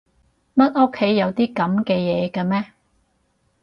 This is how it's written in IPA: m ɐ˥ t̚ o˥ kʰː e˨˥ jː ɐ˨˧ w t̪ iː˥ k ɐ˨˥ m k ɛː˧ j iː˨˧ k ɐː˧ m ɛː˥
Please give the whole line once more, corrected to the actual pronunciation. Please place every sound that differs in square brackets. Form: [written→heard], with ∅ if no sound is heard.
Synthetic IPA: m ɐ˥ t̚ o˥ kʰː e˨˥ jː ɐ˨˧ w t̪ iː˥ k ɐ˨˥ m k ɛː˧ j [iː˨˧→ɛː˨˧] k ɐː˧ m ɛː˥